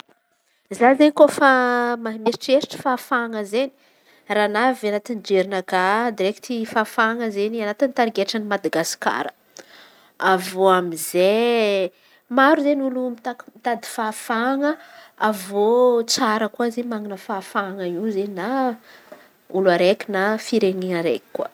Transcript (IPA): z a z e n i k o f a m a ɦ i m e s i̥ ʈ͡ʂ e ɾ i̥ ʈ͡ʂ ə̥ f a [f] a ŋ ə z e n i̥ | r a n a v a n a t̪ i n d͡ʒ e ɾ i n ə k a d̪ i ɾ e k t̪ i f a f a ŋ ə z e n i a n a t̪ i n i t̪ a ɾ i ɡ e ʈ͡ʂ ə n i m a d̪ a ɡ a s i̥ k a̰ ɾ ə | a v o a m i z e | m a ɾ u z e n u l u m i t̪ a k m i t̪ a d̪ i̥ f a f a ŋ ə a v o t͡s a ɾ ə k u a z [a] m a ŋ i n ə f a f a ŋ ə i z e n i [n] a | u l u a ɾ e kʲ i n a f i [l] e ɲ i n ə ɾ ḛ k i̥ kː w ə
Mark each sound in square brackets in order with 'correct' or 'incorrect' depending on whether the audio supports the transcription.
correct, incorrect, correct, incorrect

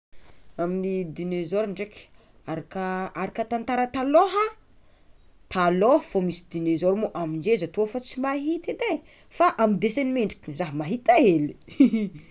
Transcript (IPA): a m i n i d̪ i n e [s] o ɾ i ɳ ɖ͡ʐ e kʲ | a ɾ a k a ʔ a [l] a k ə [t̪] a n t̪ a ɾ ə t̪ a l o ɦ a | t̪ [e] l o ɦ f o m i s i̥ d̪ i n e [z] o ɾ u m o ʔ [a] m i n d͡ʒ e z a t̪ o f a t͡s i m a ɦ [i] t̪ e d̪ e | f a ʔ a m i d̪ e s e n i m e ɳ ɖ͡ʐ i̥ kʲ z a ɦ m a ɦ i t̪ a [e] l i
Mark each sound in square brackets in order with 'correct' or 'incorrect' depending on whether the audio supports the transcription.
incorrect, incorrect, correct, incorrect, correct, correct, correct, correct

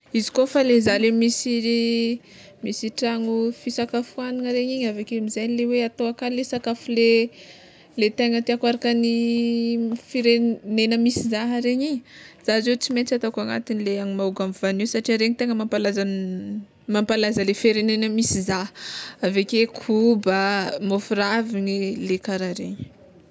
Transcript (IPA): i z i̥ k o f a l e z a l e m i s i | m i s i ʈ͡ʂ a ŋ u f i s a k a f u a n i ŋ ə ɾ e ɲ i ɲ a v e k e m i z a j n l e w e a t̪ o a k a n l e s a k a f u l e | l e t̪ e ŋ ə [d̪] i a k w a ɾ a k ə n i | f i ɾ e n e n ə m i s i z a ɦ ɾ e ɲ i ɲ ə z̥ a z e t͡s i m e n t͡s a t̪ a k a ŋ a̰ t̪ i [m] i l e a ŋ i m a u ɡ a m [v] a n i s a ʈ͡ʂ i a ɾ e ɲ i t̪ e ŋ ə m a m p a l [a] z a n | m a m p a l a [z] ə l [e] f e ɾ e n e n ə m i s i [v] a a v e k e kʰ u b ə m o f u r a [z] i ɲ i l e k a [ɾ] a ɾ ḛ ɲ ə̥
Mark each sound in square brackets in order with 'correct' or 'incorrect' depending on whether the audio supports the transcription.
incorrect, incorrect, correct, correct, correct, correct, incorrect, incorrect, correct

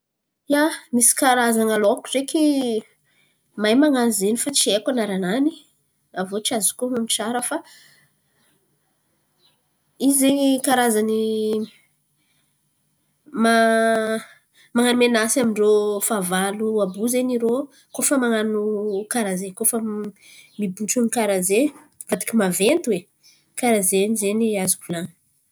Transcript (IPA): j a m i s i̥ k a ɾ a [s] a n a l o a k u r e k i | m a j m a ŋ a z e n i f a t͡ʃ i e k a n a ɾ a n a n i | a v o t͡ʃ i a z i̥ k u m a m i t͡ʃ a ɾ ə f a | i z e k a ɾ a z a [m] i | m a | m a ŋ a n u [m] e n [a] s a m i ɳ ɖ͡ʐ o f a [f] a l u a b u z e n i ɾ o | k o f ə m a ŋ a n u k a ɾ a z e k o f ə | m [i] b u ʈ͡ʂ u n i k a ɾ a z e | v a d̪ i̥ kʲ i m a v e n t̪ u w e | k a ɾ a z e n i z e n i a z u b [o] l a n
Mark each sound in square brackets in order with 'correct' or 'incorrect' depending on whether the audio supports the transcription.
incorrect, incorrect, correct, correct, incorrect, correct, incorrect

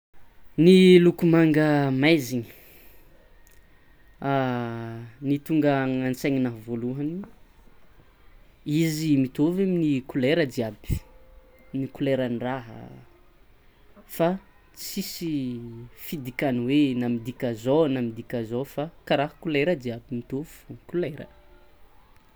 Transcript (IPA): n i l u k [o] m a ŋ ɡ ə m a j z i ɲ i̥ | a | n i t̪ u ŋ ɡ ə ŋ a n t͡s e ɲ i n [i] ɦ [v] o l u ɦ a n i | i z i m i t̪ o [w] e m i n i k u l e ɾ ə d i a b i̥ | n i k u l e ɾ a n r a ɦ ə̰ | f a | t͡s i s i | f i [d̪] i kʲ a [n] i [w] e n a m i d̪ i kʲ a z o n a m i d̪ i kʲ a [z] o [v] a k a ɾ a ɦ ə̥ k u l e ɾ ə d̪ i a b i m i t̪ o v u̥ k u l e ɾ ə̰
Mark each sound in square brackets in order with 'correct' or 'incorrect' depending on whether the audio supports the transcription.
incorrect, incorrect, correct, incorrect, correct, correct, correct, correct, incorrect

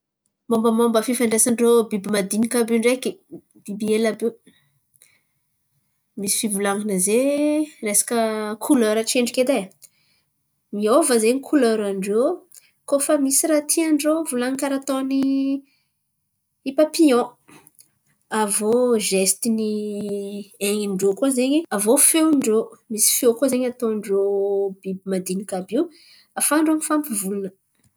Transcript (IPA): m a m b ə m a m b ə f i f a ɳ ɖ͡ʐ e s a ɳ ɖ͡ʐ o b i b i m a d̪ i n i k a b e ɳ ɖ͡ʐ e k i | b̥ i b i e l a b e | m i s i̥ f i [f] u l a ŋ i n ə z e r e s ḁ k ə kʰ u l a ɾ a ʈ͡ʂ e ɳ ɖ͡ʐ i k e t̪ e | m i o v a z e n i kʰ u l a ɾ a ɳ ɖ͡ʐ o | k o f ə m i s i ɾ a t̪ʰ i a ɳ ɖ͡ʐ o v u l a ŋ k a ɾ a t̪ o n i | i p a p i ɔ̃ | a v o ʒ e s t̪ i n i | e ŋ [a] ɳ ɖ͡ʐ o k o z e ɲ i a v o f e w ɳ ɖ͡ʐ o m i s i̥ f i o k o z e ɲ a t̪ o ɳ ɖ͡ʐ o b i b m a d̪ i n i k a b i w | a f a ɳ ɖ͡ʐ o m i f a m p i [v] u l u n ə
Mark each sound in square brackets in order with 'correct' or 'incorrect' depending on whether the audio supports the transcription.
incorrect, incorrect, correct

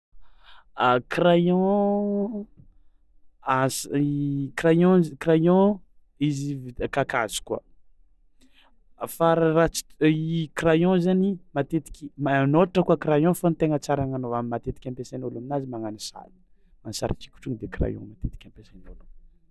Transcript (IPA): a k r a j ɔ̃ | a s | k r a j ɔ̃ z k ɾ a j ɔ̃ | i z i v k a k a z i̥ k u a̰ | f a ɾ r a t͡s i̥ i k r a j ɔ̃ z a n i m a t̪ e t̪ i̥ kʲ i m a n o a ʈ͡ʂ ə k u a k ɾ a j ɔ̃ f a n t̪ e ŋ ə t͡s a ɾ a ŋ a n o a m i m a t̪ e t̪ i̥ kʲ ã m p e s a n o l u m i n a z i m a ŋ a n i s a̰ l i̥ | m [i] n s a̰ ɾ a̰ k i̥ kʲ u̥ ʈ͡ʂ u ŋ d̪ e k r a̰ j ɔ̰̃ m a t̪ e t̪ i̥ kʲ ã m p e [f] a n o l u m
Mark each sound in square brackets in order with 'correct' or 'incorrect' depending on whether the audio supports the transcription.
incorrect, incorrect

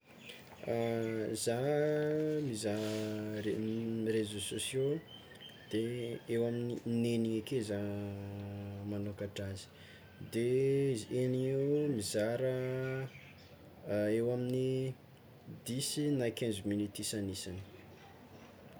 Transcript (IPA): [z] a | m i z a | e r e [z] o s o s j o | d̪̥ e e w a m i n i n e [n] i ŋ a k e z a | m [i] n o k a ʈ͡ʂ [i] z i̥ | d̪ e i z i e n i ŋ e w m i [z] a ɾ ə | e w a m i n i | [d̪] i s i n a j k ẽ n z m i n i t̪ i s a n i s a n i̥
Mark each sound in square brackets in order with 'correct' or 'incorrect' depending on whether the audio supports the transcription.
correct, correct, correct, incorrect, incorrect, correct, correct

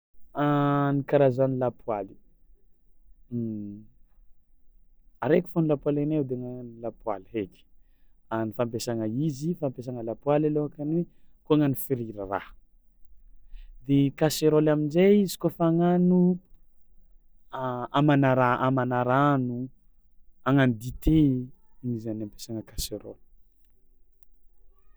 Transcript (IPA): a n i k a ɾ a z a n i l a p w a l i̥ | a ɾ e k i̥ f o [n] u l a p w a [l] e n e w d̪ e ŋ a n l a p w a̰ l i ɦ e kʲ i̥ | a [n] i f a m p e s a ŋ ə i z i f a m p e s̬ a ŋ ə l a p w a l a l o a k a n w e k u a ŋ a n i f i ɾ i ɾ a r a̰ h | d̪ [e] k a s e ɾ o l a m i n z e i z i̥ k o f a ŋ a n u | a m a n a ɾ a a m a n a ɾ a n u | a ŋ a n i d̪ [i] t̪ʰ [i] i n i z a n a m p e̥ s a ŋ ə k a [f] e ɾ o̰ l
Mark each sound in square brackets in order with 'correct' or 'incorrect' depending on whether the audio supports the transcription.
correct, correct, correct, correct, correct, incorrect, incorrect

